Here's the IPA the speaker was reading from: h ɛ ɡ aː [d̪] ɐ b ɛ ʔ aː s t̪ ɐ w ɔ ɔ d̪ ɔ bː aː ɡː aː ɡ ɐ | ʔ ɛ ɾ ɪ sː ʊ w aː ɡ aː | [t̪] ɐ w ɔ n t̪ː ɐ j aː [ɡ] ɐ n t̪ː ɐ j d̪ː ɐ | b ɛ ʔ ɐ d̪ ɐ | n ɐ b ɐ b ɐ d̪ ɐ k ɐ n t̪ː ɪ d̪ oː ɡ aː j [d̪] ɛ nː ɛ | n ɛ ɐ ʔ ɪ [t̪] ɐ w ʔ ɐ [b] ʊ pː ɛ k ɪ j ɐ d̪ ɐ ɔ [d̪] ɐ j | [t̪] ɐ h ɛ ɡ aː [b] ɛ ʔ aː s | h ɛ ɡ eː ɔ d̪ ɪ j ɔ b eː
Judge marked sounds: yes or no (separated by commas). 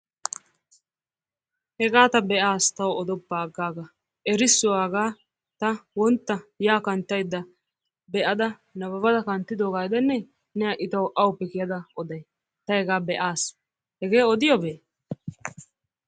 no, yes, no, yes, yes, no, yes, yes, yes